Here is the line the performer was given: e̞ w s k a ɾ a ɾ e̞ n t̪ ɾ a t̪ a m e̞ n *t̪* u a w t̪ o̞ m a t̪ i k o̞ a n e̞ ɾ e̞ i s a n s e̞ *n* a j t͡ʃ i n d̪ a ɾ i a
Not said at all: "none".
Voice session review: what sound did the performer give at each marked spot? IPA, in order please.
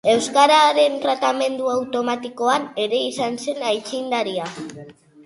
d̪, n

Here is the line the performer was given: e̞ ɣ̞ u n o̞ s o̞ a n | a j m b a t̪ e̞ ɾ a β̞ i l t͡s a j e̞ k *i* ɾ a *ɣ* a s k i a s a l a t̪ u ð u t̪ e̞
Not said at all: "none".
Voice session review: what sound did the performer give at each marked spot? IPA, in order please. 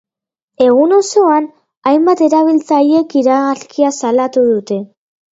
i, ɣ

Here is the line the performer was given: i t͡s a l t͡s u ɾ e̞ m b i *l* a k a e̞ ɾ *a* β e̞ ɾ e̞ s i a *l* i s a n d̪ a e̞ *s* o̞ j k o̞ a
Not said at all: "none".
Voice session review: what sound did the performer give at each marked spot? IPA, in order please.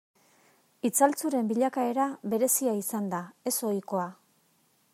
ʎ, a, none, s

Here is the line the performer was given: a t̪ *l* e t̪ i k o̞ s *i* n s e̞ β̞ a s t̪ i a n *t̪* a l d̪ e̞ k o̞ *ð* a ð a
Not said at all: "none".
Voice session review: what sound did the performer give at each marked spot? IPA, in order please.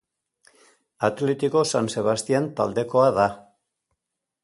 l, a, t̪, none

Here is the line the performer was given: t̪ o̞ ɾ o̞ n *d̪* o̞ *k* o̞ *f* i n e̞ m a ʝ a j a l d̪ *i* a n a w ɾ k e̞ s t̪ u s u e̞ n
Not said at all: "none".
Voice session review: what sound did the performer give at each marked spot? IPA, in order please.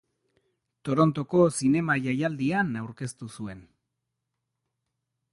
t̪, k, s, i

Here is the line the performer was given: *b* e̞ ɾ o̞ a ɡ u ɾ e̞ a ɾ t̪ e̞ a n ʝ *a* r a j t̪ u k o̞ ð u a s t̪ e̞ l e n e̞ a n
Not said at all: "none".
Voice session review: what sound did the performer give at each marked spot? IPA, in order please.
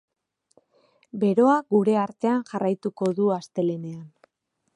b, a

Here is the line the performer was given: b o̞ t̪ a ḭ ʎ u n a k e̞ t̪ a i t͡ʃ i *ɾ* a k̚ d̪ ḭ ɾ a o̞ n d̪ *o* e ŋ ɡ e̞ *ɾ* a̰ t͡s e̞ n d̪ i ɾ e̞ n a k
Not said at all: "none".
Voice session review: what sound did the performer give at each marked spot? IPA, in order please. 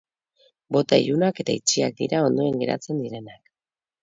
none, o, ɾ

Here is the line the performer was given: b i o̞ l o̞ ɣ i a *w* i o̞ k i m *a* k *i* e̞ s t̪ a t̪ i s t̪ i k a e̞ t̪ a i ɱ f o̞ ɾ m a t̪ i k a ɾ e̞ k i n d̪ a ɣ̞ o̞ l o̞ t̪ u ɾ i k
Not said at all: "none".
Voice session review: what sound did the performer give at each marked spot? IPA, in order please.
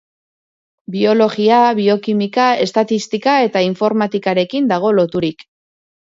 β, i, a

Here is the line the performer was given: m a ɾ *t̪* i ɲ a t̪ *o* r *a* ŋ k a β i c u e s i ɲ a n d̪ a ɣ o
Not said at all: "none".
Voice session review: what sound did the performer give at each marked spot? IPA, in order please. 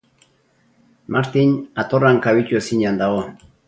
t̪, o, a

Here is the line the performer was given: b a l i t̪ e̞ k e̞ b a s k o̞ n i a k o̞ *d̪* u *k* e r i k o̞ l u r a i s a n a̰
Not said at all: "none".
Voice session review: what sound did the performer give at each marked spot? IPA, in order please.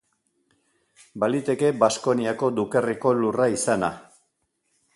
d̪, k

